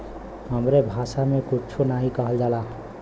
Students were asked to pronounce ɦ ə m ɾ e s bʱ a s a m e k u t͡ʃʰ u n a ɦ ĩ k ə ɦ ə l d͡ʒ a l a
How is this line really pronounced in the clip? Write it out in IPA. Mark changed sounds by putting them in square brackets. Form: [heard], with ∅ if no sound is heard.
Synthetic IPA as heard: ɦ ə m ɾ e [∅] bʱ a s a m e k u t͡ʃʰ u n a ɦ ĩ k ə ɦ ə l d͡ʒ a l a